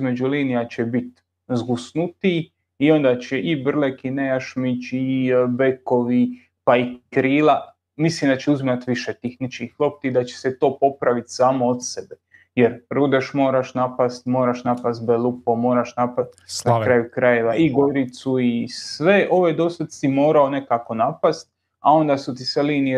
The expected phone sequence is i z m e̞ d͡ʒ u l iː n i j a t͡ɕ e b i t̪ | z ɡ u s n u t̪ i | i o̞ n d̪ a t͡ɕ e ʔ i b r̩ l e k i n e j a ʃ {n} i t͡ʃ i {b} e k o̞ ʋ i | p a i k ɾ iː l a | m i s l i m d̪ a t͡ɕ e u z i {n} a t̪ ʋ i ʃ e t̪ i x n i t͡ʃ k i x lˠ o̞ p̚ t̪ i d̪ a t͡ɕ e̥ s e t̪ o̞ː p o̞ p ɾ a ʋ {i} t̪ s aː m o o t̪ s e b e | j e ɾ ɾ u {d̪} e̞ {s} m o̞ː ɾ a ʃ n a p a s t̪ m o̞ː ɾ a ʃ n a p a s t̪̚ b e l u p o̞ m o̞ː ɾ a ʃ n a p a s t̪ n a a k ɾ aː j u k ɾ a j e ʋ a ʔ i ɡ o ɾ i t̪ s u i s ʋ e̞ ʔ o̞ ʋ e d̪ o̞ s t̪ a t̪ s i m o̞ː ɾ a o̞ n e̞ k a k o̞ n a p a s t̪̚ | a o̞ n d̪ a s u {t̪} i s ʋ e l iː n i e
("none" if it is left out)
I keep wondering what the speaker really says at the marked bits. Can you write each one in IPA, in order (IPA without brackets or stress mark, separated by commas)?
m, b, m, i, d̪, ʃ, t̪